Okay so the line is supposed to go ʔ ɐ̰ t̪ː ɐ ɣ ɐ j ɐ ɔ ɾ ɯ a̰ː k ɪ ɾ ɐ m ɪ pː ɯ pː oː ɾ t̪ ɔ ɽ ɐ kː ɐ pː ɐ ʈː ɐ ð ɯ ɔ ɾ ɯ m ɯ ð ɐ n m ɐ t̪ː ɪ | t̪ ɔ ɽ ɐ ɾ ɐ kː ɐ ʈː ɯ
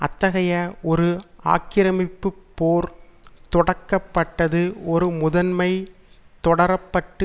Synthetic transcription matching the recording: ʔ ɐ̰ t̪ː ɐ ɣ ɐ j ɐ ɔ ɾ ɯ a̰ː k ɪ ɾ ɐ m ɪ pː ɯ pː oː ɾ t̪ ɔ ɽ ɐ kː ɐ pː ɐ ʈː ɐ ð ɯ ɔ ɾ ɯ m ʊ ð ɐ n m ɐ ɪ | t̪ ɔ ɽ ɐ ɾ ɐ pː ɐ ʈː ɯ